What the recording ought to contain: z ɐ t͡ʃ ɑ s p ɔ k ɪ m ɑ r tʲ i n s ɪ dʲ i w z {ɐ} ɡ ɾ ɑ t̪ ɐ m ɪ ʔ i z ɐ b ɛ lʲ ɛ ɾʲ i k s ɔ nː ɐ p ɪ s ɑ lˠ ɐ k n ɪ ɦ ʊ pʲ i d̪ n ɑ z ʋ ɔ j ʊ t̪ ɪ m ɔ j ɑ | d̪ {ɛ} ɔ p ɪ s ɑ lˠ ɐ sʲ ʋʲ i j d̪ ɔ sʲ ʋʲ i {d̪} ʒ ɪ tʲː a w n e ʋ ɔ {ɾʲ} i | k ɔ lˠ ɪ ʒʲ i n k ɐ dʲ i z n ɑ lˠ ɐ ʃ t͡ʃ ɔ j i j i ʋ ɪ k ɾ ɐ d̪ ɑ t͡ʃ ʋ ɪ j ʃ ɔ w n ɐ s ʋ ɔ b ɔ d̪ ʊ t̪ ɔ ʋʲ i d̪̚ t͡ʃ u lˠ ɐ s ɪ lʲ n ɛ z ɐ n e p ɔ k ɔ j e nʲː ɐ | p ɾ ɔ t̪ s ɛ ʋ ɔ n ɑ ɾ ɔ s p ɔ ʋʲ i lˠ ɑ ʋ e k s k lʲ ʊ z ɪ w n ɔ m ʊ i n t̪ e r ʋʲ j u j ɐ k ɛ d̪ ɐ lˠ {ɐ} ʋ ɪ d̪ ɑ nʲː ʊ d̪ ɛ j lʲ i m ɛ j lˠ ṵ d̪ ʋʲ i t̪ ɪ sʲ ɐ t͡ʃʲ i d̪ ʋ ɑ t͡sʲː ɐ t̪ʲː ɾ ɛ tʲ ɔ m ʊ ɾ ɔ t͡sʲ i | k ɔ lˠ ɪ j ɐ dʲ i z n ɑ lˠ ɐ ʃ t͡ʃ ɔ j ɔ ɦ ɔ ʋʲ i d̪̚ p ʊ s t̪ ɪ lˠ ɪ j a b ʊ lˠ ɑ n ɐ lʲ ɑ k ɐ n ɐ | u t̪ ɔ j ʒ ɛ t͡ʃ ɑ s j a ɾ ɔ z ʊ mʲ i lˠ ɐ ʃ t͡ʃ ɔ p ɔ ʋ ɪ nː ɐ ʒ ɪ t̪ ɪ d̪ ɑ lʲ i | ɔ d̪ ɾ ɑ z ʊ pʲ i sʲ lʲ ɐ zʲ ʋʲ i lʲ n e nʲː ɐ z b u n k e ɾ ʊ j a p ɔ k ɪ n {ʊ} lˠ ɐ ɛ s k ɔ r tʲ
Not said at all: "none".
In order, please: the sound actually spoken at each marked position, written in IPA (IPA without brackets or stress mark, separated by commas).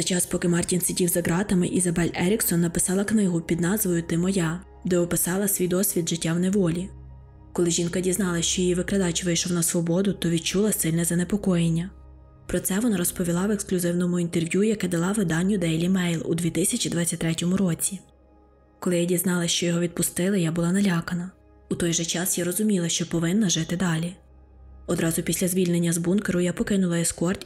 ɐ, ɛ, d̪, lʲ, ɑ, ʊ